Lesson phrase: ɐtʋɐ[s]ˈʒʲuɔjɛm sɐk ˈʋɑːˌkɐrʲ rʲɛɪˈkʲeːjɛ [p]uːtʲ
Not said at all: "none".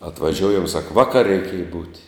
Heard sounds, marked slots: none, b

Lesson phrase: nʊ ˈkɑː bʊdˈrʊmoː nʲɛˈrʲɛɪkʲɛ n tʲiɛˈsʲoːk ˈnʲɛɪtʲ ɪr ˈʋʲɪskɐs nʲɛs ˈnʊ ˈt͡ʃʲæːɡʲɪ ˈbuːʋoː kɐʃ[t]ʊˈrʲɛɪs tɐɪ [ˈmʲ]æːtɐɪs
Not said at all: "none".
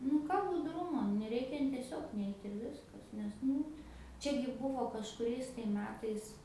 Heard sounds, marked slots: k, mʲ

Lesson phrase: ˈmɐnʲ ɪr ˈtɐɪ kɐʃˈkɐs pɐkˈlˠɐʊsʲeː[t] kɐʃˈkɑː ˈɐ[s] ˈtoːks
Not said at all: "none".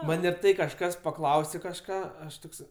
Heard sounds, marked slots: none, ʃ

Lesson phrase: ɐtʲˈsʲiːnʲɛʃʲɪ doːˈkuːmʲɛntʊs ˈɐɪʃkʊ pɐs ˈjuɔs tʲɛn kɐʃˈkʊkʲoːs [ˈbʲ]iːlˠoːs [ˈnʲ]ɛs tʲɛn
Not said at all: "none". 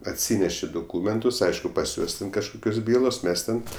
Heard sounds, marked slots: bʲ, mʲ

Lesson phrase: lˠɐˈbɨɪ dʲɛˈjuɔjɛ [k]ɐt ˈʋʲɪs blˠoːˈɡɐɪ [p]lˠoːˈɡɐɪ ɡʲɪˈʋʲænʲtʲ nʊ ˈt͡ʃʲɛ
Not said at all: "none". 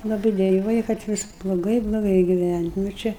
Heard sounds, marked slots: k, b

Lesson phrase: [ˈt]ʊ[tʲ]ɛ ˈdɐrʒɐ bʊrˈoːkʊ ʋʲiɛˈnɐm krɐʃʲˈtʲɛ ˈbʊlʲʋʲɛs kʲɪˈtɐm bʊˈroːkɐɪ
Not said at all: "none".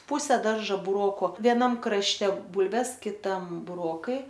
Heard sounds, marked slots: p, sʲ

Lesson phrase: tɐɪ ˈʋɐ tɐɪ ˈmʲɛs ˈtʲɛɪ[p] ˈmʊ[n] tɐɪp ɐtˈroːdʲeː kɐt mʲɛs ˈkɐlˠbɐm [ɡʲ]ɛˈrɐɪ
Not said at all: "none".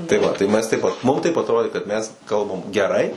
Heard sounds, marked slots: p, m, ɡʲ

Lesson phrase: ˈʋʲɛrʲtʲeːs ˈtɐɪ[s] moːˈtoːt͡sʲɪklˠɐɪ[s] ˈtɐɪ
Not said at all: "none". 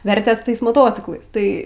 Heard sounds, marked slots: s, s

